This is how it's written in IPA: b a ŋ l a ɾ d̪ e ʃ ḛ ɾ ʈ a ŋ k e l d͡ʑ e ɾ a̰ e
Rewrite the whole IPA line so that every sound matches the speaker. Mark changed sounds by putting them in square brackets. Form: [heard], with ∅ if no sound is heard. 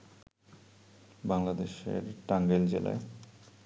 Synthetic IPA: b a ŋ l a [∅] d̪ e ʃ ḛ ɾ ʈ a ŋ [ɡ] e l d͡ʑ e [l] a̰ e